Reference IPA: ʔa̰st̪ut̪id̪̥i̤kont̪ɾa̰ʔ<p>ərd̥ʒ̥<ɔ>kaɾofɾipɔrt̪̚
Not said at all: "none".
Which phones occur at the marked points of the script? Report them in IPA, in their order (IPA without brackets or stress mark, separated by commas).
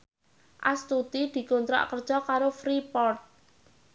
k, ɔ